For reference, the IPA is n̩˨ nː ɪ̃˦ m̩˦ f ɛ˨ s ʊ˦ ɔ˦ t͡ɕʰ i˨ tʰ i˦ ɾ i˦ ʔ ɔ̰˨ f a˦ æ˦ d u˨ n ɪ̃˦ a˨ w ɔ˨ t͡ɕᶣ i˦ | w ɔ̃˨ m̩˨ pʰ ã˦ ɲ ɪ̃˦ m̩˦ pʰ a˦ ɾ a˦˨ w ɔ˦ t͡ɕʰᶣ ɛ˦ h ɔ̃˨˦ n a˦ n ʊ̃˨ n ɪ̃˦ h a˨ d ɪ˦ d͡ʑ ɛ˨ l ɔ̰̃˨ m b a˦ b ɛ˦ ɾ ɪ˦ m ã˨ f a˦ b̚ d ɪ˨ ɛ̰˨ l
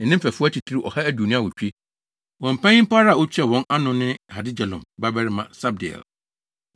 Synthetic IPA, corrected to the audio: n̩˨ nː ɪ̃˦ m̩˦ f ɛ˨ f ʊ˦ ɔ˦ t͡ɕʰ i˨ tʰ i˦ ɾ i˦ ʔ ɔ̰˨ h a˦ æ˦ d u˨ n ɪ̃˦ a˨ w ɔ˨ t͡ɕᶣ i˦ | w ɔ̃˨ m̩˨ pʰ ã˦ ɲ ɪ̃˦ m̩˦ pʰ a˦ ɾ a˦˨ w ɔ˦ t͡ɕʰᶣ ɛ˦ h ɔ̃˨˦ n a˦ n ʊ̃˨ n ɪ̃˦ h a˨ d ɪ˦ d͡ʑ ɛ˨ l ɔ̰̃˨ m b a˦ b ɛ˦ ɾ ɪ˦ m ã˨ s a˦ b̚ d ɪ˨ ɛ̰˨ l